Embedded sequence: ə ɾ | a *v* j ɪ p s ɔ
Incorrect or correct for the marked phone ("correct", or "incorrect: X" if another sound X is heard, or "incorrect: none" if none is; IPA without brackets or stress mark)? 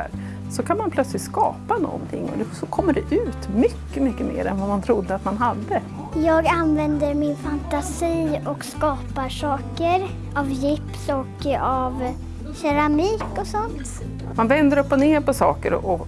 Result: correct